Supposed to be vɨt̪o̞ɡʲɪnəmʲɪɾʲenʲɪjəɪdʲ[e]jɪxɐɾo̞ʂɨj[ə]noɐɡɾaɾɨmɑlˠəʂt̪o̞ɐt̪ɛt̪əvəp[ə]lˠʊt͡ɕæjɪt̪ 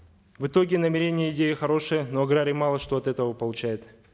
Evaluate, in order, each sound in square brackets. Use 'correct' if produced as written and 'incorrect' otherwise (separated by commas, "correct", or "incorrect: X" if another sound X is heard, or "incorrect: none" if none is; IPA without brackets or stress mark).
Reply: correct, correct, correct